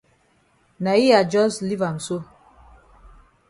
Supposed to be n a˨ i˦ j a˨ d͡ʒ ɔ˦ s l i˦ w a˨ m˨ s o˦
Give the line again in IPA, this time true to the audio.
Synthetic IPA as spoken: n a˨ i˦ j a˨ d͡ʒ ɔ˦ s l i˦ v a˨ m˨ s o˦